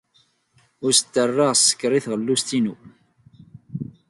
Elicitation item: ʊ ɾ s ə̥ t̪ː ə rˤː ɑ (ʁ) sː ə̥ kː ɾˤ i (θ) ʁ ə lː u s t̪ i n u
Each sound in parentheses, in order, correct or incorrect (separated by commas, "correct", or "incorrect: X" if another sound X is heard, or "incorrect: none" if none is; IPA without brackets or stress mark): correct, correct